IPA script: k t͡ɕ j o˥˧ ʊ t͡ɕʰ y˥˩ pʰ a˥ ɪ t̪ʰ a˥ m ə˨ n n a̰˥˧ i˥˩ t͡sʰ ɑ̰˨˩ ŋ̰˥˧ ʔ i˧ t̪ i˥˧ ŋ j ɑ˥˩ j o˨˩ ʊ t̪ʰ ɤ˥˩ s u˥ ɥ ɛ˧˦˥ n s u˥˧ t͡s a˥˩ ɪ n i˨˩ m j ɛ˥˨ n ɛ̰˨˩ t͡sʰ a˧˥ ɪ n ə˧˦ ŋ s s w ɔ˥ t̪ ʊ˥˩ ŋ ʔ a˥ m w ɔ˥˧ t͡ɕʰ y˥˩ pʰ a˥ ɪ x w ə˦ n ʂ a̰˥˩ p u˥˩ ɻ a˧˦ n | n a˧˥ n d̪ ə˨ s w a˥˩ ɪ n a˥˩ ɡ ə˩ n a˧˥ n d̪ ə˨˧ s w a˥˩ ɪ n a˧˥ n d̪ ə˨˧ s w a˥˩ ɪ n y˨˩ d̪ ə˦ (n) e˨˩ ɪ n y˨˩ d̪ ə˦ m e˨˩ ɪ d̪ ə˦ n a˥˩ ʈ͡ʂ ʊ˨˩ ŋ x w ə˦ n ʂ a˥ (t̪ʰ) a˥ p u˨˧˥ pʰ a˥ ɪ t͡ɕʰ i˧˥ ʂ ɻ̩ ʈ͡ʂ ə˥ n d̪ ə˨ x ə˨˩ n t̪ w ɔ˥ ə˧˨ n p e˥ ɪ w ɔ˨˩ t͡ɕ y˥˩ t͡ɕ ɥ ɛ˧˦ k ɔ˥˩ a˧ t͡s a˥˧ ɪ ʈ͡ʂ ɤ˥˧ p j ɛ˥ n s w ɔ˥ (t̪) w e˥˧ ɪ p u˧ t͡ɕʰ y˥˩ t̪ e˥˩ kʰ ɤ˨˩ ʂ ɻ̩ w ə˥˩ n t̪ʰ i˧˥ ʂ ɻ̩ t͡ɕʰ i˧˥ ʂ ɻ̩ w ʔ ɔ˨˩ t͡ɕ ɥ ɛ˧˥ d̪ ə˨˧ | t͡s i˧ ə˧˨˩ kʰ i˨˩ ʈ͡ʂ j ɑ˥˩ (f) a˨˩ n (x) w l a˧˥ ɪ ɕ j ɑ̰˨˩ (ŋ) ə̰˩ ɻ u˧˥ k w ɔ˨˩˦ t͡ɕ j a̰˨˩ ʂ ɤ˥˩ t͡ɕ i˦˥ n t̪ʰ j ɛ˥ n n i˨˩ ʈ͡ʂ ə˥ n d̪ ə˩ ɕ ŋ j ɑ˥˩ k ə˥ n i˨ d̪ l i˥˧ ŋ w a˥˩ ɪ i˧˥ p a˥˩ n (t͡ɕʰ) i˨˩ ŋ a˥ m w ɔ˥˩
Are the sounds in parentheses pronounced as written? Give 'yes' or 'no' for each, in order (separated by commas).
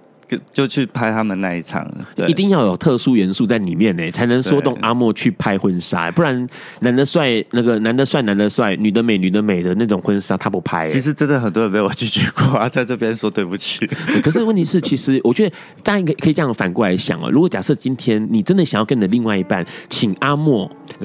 no, yes, yes, yes, no, yes, yes